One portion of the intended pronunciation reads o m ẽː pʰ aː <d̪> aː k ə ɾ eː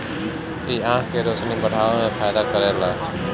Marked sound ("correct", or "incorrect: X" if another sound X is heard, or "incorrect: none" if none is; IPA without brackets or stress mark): correct